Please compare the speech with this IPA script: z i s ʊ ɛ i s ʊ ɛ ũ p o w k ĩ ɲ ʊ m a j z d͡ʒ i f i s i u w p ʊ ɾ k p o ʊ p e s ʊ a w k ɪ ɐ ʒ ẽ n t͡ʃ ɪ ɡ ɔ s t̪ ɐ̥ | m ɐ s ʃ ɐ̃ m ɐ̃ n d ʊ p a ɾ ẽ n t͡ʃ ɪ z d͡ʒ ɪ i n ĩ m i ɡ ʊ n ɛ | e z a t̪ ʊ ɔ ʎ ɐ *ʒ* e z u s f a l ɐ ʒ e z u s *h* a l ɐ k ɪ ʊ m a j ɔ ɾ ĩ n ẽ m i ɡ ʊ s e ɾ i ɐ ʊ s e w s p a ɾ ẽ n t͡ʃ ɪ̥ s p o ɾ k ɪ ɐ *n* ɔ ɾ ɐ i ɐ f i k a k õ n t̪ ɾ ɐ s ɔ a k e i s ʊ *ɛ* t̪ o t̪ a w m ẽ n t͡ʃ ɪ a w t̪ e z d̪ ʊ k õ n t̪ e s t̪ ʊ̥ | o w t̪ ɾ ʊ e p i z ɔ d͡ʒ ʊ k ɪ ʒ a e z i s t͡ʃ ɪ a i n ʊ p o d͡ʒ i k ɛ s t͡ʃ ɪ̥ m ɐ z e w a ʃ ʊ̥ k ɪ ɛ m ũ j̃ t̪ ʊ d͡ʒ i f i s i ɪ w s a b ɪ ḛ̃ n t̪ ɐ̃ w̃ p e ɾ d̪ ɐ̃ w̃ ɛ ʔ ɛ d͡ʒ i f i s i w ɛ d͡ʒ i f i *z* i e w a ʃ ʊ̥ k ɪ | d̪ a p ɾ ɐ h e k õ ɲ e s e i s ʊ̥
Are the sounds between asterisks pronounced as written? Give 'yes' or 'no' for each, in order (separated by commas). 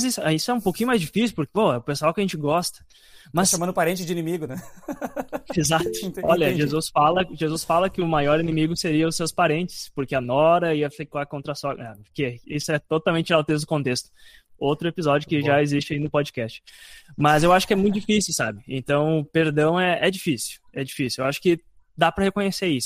yes, no, yes, yes, no